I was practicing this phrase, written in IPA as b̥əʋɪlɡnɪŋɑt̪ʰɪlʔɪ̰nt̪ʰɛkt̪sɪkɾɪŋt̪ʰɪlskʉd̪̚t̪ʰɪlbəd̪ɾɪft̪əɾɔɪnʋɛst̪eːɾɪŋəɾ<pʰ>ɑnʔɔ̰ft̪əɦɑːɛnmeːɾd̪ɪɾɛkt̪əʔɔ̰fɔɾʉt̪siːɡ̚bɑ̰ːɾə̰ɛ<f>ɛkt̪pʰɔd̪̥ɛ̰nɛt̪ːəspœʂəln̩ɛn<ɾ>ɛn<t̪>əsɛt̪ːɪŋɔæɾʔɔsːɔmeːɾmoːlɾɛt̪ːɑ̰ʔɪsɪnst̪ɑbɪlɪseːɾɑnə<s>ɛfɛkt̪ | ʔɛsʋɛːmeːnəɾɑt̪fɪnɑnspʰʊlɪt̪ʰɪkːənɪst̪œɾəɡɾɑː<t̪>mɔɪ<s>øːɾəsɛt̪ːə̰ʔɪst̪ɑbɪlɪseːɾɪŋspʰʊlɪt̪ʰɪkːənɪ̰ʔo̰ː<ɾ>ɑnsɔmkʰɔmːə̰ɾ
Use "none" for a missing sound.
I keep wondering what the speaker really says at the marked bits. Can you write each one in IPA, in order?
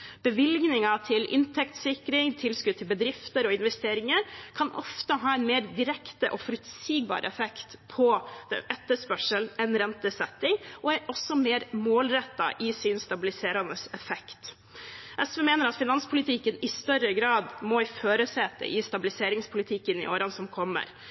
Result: kʰ, f, ɾ, t̪, s, d̪, f, ɾ

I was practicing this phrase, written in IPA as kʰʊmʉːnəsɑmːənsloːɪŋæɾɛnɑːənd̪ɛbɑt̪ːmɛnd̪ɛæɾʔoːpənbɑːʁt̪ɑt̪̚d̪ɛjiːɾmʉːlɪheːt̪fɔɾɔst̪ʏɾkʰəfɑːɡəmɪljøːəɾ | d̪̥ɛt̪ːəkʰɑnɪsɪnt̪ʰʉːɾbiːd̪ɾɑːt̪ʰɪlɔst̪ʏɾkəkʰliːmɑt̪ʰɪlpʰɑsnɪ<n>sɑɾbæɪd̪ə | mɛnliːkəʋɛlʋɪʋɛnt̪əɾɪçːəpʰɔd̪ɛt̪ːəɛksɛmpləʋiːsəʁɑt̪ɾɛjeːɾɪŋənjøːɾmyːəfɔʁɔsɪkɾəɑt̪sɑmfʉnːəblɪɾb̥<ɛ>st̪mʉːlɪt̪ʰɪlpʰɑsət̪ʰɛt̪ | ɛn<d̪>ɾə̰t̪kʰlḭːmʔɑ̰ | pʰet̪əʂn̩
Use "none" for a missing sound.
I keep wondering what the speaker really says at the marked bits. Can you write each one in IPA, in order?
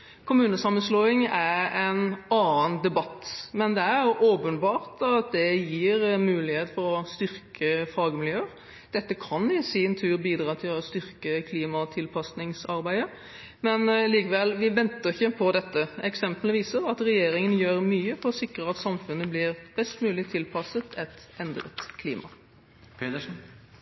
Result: ŋ, ɛ, d̪

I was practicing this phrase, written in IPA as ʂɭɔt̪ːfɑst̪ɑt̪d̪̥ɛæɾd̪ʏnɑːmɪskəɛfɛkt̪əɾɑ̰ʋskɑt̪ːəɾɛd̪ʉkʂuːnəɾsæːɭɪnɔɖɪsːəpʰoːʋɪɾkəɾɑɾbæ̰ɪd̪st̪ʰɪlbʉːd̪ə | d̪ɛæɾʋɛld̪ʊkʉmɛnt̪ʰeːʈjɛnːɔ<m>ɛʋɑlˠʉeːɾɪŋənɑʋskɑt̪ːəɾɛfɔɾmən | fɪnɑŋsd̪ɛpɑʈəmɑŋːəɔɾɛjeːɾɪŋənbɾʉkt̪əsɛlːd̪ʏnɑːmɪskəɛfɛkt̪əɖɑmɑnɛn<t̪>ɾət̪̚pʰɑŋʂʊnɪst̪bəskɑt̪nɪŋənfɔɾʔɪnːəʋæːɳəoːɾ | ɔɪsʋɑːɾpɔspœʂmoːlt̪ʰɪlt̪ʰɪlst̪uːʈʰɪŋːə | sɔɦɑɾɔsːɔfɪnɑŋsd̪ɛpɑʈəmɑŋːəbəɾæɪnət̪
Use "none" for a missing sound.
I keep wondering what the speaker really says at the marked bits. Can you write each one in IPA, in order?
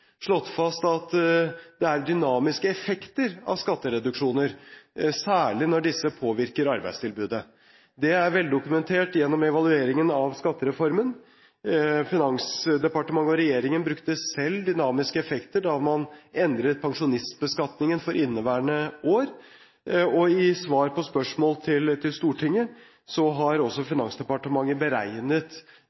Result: m, d̪

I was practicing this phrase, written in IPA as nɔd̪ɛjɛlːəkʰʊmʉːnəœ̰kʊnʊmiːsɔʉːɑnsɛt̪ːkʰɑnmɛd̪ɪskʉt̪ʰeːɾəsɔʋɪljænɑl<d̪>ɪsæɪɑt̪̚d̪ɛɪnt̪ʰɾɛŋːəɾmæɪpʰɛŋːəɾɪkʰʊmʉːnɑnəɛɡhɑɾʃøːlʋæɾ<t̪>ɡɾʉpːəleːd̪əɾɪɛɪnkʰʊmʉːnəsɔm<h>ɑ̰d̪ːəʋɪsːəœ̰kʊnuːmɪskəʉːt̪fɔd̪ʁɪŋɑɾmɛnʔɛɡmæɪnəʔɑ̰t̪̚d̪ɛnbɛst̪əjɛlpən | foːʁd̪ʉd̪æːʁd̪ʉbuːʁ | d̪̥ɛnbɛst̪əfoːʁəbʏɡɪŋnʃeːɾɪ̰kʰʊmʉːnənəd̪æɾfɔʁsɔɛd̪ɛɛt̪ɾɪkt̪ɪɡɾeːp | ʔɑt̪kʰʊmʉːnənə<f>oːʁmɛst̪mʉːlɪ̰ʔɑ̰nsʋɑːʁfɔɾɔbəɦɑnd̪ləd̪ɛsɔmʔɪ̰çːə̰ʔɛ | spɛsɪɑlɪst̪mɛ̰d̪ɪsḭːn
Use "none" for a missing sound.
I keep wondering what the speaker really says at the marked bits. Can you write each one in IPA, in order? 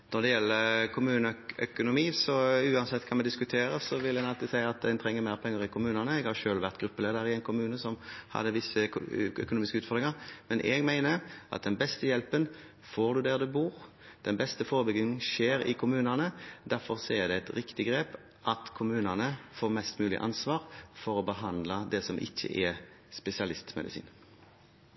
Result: t̪, t̪, h, f

